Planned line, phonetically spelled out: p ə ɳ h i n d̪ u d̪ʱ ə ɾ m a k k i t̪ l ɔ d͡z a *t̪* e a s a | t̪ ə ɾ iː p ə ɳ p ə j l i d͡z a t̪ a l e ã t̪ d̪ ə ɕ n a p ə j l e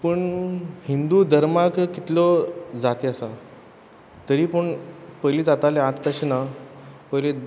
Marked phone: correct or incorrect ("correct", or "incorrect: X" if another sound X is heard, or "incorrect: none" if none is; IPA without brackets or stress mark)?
correct